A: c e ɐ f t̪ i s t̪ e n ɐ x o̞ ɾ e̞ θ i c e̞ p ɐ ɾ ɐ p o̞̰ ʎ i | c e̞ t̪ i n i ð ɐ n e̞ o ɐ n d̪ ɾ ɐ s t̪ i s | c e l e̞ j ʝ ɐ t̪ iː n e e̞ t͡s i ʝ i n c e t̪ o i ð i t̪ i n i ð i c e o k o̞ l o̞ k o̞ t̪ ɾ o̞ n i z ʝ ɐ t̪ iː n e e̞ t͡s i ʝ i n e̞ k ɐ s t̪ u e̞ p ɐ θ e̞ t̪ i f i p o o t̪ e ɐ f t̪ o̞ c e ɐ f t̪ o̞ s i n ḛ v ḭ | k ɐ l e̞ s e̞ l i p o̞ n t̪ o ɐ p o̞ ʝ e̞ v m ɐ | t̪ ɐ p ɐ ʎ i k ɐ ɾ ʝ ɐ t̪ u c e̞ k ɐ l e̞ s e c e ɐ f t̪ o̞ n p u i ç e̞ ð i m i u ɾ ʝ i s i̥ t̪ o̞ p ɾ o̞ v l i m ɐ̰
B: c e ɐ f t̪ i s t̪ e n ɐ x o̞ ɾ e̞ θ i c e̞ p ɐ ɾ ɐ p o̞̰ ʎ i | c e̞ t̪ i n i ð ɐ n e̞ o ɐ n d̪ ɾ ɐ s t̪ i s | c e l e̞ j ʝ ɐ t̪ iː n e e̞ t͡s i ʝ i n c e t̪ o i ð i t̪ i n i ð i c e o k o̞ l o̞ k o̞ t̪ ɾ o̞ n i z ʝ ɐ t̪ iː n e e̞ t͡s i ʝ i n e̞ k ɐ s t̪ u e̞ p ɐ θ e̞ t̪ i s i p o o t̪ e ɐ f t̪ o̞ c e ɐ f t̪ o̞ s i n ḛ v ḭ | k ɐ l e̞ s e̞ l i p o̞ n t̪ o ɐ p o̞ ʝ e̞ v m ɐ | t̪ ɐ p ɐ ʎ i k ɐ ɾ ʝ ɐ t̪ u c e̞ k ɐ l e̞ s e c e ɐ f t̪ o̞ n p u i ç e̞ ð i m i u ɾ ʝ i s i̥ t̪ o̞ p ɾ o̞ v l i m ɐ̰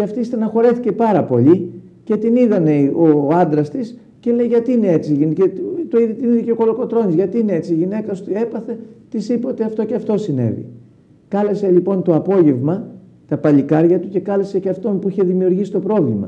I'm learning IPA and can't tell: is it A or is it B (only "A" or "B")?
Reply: B